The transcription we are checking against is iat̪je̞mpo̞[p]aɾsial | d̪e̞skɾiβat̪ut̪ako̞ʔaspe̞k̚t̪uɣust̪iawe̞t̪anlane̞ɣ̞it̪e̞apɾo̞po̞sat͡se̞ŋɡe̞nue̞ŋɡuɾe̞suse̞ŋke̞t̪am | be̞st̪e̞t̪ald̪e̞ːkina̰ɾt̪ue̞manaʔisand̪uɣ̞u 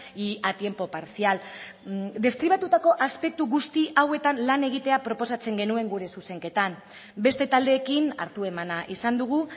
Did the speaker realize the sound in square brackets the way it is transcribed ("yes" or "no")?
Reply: yes